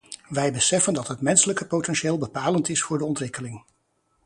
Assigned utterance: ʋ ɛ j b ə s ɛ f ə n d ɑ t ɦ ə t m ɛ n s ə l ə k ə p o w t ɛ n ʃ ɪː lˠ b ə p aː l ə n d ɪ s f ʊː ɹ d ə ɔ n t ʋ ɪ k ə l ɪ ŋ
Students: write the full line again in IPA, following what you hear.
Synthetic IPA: ʋ ɛ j b ə s ɛ f ə n d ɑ t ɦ ə t m ɛ n s ə l ə k ə p o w t ɛ n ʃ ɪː lˠ b ə p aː l ə n t ɪ s f ʊː ɹ d ə ɔ n t ʋ ɪ k ə l ɪ ŋ